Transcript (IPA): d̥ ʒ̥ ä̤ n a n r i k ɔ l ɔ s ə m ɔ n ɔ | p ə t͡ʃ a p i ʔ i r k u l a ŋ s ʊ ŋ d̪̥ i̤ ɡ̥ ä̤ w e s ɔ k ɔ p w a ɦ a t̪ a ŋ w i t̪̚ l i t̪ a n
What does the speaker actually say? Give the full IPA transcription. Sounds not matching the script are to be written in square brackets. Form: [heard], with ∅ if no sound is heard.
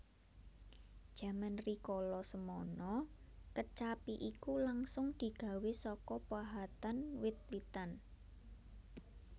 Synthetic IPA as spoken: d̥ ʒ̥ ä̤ [m] a n r i k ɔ l ɔ s ə m ɔ n ɔ | [k] ə t͡ʃ a p i ʔ i [∅] k u l a ŋ s ʊ ŋ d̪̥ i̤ ɡ̥ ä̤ w e s ɔ k ɔ p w a ɦ a t̪ a [n] w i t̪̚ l i t̪ a n

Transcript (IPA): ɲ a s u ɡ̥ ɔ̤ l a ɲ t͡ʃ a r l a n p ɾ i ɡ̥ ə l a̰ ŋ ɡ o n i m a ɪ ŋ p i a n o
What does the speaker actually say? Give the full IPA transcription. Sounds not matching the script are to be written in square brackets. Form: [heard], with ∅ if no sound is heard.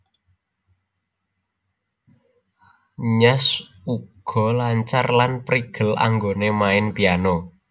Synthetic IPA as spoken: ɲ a s u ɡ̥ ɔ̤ l a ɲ t͡ʃ a r l a n p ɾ i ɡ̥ ə l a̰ ŋ ɡ o n [e] m a ɪ [n] p i a n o

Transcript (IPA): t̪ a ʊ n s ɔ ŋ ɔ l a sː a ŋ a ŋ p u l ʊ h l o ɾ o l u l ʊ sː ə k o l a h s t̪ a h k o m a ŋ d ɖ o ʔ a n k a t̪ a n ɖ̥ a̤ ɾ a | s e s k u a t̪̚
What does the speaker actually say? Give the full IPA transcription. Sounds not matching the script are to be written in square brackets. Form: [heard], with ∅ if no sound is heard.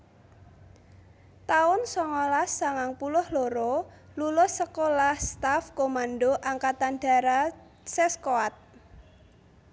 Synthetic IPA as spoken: t̪ a ʊ n s ɔ ŋ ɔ l a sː a ŋ a ŋ p u l ʊ h l o ɾ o l u l ʊ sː ə k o l a h s t̪ a [f] k o m a [n] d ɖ o ʔ a [ŋ] k a t̪ a n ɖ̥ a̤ ɾ a | s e s k [o] a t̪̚

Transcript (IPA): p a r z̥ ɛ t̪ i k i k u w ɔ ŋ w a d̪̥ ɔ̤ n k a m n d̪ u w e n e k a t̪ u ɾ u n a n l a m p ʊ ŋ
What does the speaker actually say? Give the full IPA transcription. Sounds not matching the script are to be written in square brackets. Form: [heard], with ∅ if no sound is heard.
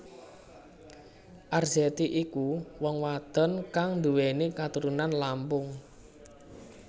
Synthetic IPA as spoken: [ʔ] a r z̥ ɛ t̪ i [ʔ] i k u w ɔ ŋ w a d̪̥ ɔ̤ n k a [ŋ] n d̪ u w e n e k a t̪ u ɾ u n a n l a m p ʊ ŋ

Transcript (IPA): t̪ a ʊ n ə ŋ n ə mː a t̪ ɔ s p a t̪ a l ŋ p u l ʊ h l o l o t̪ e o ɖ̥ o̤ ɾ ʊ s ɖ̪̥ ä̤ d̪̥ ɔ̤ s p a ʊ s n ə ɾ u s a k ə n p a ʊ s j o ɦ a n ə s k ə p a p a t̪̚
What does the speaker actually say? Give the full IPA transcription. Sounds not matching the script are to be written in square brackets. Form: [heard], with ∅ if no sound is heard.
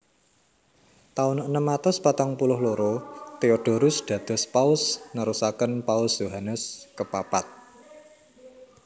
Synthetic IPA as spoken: t̪ a ʊ n ə [∅] n ə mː a t̪ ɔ s p a t̪ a [∅] ŋ p u l ʊ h l o [ɾ] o t̪ e o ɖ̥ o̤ ɾ ʊ s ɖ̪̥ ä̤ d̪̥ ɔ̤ s p a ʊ s n ə ɾ u s a k ə n p a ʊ s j o ɦ a n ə s k ə p a p a t̪̚

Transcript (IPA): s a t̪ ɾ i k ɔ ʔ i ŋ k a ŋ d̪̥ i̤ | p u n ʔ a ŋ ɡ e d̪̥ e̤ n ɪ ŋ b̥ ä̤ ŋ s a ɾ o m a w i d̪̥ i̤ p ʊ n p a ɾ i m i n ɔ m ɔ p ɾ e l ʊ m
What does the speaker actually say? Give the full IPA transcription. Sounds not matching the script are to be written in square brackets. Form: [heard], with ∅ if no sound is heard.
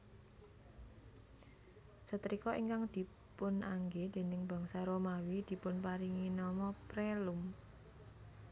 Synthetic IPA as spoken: s [ə] t̪ ɾ i k ɔ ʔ i ŋ k a ŋ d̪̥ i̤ | p [ʊ] n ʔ a ŋ ɡ e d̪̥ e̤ n ɪ ŋ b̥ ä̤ ŋ s a ɾ o m a w i d̪̥ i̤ p ʊ n p a ɾ i [ŋ] i n ɔ m ɔ p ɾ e l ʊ m

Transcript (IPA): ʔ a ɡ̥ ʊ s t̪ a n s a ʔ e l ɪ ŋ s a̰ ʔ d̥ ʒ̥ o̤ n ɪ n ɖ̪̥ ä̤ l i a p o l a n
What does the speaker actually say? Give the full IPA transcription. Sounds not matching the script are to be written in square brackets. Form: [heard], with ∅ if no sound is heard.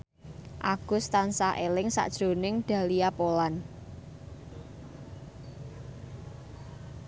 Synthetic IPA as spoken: ʔ a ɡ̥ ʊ s t̪ a n s a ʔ e l ɪ ŋ s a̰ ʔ d̥ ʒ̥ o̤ n ɪ [ŋ] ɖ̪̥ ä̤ l i a p o l a n

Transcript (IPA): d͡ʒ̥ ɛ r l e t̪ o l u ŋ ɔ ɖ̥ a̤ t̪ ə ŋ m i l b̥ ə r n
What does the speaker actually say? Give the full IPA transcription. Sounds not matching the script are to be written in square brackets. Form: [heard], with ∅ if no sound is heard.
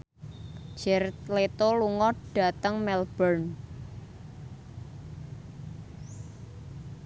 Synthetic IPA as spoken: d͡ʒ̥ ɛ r l e t̪ o l u ŋ ɔ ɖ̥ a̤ t̪ ə ŋ m [ɛ] l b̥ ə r n

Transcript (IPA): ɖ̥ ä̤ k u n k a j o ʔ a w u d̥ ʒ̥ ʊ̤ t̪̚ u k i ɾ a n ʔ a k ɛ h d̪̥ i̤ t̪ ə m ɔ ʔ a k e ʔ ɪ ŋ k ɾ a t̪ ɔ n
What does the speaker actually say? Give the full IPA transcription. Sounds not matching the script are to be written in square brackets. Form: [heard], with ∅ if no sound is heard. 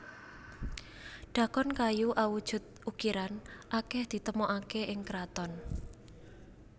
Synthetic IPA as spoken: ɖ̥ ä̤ k [ɔ] n k a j [u] ʔ a w u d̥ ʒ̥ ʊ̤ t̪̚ u k i ɾ a n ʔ a k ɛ h d̪̥ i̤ t̪ ə m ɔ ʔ a k e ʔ ɪ ŋ k ɾ a t̪ ɔ n

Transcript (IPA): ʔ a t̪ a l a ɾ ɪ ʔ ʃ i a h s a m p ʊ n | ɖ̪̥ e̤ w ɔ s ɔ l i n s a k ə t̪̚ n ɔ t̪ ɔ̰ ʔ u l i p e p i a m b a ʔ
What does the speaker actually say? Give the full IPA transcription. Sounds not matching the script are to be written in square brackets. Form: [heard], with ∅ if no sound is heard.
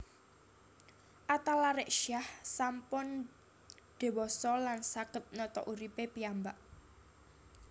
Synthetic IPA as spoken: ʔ a t̪ a l a ɾ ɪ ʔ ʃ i a h s a m p ʊ n | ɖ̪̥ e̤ w ɔ s ɔ l [a] n s a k ə t̪̚ n ɔ t̪ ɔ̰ ʔ u [ɾ] i p e p i a m b a ʔ

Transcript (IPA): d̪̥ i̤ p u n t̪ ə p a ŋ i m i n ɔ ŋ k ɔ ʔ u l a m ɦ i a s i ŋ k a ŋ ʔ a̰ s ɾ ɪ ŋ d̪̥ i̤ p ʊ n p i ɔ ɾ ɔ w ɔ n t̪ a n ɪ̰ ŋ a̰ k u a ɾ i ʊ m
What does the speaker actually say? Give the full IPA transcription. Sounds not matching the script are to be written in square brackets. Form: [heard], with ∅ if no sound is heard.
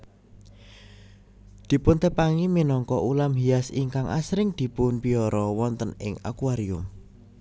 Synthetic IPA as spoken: d̪̥ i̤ p [ʊ] n t̪ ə p a ŋ i m i n ɔ ŋ k ɔ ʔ u l a m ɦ i a s i ŋ k a ŋ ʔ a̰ s ɾ ɪ ŋ d̪̥ i̤ p ʊ n p i ɔ ɾ ɔ w ɔ n t̪ [ə] n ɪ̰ ŋ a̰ k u a ɾ i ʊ m

